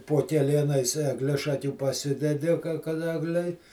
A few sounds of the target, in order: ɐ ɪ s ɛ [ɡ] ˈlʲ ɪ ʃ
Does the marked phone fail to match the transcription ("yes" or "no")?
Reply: no